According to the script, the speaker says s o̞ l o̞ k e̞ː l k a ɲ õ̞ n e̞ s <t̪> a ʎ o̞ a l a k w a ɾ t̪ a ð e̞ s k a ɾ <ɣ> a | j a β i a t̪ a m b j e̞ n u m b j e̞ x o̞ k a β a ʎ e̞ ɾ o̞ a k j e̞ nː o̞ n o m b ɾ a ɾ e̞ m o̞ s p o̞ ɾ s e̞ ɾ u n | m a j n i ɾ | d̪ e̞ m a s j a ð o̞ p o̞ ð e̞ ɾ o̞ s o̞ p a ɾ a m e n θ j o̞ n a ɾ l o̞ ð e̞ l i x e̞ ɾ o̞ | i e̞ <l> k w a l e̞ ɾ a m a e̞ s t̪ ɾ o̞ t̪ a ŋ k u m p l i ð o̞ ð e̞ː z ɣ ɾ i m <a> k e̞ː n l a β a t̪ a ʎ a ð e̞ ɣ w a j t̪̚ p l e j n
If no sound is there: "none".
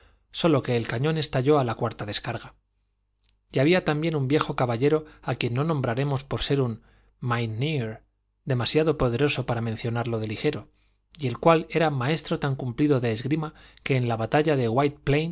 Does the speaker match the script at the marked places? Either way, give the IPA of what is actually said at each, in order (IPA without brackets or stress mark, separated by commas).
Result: t̪, ɣ, l, a